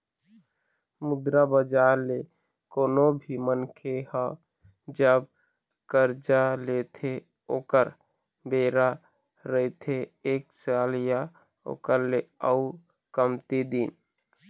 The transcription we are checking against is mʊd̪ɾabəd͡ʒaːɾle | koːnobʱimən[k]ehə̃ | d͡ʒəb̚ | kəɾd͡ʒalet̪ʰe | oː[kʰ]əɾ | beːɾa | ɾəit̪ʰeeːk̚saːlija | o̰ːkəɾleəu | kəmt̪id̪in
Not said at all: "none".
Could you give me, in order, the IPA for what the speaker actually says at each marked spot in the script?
kʰ, k

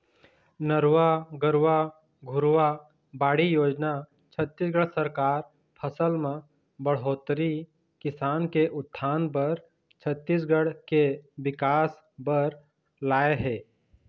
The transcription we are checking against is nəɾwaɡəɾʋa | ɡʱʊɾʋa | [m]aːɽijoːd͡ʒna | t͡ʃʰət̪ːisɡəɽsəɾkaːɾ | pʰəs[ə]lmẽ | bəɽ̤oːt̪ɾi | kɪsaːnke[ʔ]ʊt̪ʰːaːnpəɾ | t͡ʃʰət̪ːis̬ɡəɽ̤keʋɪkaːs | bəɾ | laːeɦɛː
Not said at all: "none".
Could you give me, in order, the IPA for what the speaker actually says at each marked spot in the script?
b, ə, ʔ

